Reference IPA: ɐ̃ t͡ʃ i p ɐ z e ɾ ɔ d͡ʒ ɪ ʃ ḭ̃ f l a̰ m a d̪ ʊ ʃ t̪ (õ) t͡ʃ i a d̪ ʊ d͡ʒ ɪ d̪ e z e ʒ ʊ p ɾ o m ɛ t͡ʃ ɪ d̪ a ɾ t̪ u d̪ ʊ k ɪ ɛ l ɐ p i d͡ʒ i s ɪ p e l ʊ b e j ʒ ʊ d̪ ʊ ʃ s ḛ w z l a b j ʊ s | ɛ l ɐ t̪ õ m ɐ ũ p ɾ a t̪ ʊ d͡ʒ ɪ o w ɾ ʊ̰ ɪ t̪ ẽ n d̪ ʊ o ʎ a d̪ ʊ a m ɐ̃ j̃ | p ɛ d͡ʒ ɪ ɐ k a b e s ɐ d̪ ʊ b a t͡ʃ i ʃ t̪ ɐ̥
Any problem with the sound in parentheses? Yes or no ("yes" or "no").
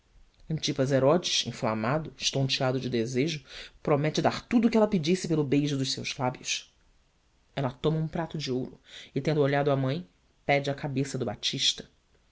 no